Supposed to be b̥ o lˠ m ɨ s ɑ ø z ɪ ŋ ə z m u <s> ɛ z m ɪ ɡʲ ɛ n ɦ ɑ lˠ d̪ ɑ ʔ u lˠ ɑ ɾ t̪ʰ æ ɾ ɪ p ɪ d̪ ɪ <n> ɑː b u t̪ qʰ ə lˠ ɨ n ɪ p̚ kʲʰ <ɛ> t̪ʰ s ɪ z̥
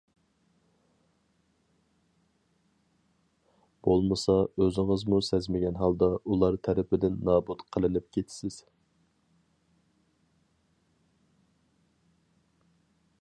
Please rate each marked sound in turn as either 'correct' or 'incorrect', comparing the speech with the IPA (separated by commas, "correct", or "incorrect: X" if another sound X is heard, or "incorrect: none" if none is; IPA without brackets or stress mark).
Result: correct, incorrect: nː, incorrect: e